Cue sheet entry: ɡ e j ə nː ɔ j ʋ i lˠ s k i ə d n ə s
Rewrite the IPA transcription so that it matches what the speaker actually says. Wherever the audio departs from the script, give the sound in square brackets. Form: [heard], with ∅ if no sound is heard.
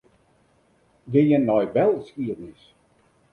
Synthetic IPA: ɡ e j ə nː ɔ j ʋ [ɛ] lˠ s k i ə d n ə s